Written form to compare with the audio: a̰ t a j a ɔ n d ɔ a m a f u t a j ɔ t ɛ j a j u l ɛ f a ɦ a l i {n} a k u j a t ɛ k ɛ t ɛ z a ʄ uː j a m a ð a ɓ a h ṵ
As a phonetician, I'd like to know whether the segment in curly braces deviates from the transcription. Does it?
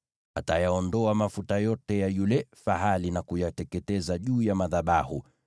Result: no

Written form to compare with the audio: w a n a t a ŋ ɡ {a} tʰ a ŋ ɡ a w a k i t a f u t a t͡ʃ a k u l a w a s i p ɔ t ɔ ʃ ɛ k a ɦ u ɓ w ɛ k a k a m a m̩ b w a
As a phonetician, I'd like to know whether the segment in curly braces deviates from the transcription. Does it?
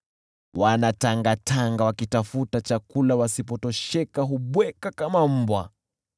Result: no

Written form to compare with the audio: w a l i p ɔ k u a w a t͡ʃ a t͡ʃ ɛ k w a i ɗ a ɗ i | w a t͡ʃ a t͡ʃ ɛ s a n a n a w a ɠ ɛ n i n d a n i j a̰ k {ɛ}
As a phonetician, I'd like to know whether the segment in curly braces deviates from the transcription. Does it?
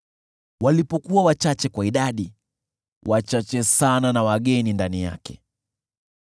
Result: no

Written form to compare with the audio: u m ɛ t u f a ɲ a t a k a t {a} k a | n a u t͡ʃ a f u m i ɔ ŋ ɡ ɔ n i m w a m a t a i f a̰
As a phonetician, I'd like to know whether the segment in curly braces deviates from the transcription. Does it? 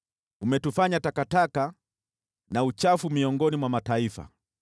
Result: no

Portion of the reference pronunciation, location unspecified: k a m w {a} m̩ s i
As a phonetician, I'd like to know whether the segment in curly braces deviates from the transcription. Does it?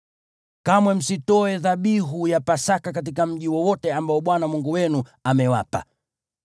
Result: yes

